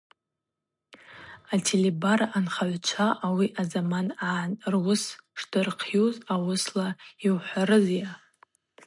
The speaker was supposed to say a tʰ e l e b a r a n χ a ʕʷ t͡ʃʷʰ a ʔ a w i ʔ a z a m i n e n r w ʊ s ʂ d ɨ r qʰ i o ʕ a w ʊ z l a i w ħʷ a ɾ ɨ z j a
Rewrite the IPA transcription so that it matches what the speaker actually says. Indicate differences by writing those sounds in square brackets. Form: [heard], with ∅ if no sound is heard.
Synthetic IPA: a tʰ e l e b a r a n χ a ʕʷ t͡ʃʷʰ a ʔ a w i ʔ a z a m [a] n [a] n r w ʊ s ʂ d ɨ r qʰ [j] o [z] a w ʊ [s] l a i w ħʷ a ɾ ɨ z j a